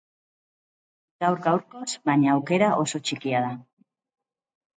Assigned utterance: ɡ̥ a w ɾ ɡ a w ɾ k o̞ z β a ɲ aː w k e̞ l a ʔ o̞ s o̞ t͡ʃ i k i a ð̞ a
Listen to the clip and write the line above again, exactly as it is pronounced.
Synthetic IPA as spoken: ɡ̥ a w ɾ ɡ a w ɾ k o̞ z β a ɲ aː w k e̞ ɾ a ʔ o̞ s o̞ t͡ʃ i k i a ð̞ a